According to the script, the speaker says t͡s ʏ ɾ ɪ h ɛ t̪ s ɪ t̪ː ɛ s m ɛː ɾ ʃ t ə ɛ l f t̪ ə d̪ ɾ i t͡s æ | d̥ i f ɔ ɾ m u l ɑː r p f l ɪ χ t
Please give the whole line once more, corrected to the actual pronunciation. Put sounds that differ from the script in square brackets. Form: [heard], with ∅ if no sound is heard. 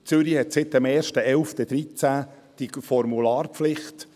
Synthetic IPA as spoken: t͡s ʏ ɾ [i] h ɛ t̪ s ɪ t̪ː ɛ [∅] m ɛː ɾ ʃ t ə ɛ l f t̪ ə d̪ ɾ i t͡s æ | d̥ i f ɔ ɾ m u l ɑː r p f l ɪ χ t